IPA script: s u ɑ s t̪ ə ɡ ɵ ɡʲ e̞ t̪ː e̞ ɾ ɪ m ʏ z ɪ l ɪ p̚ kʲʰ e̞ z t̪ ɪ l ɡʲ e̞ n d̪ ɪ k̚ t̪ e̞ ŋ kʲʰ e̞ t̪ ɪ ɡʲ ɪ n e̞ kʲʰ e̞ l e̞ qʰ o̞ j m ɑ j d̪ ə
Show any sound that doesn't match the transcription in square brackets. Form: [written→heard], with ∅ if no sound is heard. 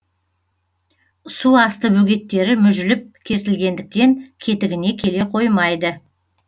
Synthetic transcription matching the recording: s u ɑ s t̪ ə [ɡ→b] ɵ ɡʲ e̞ t̪ː e̞ ɾ ɪ m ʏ [z→ʒ] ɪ l ɪ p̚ kʲʰ e̞ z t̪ ɪ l ɡʲ e̞ n d̪ ɪ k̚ t̪ e̞ ŋ kʲʰ e̞ t̪ ɪ ɡʲ ɪ n e̞ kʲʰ e̞ l e̞ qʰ o̞ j m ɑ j d̪ ə